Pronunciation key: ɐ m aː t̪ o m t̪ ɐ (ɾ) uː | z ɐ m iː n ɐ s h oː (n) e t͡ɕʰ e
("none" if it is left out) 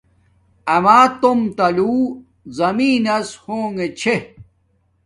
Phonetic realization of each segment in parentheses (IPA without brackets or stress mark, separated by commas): l, ŋ